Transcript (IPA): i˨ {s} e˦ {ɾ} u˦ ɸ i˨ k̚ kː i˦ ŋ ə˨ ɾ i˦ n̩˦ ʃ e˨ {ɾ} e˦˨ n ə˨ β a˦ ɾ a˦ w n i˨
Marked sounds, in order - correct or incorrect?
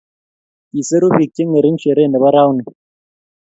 correct, correct, correct

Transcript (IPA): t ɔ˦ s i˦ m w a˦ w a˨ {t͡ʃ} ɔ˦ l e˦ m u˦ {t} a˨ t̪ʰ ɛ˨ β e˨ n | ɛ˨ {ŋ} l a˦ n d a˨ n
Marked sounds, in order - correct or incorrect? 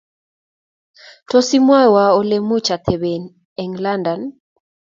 incorrect: none, incorrect: t͡ʃ, correct

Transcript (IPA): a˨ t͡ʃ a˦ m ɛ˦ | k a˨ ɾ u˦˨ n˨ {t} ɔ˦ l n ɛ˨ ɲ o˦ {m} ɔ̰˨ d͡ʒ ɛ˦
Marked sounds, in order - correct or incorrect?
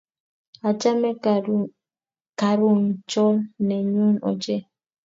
incorrect: t͡ʃ, incorrect: n

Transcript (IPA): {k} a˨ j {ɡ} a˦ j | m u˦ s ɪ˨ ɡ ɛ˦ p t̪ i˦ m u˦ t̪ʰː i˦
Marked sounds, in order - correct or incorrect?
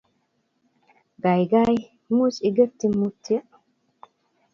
incorrect: ɡ, correct

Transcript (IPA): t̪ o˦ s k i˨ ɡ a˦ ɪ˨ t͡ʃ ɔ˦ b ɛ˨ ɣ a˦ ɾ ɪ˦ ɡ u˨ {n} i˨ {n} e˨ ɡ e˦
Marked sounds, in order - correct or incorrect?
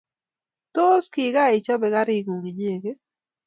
incorrect: ŋ, incorrect: ɲ

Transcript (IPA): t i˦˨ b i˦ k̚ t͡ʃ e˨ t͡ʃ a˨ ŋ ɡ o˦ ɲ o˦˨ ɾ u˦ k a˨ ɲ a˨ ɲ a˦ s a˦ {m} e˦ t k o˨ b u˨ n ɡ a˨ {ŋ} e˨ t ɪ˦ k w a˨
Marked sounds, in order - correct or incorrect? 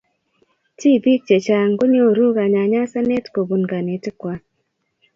incorrect: n, incorrect: n

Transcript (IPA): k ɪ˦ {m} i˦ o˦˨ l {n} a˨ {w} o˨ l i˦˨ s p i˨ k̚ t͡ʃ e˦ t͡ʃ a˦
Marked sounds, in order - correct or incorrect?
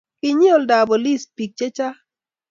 incorrect: ɲ, incorrect: d, incorrect: b

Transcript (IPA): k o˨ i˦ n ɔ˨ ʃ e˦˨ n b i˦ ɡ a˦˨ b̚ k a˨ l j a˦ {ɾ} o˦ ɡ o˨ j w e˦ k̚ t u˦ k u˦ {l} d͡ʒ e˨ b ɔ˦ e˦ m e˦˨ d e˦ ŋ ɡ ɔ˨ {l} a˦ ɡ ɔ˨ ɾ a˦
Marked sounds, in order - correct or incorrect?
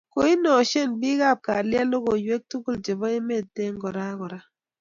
incorrect: l, correct, incorrect: ɾ

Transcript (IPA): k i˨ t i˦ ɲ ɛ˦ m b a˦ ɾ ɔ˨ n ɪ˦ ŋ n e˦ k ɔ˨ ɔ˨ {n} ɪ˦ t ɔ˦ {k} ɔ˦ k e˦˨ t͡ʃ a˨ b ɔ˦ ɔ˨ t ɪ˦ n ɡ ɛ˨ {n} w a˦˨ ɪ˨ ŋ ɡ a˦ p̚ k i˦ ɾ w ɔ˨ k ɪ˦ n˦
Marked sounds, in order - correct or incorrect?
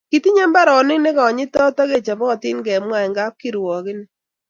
incorrect: ɲ, incorrect: t, incorrect: m

